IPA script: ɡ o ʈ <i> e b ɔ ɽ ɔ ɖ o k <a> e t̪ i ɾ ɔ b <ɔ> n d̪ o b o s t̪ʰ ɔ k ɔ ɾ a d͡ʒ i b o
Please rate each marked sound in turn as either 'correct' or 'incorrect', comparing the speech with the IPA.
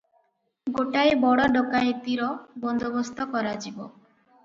incorrect: a, correct, correct

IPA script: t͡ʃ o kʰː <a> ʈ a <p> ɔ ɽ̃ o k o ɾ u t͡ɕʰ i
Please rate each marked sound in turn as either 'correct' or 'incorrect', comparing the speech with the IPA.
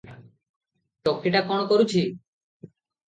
incorrect: i, incorrect: k

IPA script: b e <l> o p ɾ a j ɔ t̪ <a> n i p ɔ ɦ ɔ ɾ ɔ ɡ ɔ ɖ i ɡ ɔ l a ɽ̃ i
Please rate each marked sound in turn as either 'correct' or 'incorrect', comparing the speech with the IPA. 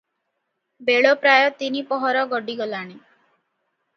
incorrect: ɭ, incorrect: i

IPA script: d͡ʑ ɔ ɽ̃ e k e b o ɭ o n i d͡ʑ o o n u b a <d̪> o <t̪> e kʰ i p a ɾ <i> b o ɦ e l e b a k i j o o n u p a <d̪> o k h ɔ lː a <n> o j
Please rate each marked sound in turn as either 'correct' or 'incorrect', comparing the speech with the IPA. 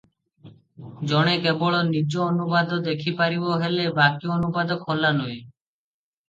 correct, incorrect: d̪, correct, correct, correct

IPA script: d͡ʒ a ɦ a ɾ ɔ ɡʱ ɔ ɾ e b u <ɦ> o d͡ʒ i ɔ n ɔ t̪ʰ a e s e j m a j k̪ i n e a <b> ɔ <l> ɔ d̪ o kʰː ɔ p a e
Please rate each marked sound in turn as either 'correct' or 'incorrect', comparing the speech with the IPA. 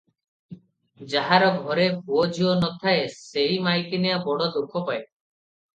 incorrect: none, correct, incorrect: ɽ

